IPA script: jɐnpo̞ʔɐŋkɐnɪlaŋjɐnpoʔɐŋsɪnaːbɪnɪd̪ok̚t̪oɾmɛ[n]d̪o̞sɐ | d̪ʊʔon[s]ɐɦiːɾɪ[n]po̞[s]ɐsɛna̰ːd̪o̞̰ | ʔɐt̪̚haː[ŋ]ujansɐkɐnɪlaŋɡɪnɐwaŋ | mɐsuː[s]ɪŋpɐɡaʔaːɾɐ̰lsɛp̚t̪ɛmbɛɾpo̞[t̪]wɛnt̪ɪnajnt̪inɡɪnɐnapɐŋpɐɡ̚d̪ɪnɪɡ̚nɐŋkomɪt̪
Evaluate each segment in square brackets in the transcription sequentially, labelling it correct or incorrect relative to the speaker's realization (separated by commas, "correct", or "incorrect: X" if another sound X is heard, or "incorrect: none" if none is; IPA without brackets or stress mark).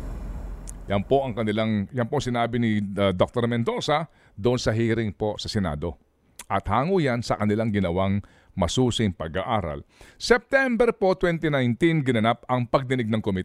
correct, correct, incorrect: ŋ, correct, correct, correct, correct